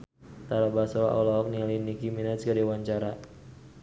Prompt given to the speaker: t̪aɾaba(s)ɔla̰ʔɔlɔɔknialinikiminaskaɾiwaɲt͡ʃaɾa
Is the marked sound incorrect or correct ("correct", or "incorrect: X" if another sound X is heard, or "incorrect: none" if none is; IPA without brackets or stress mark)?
correct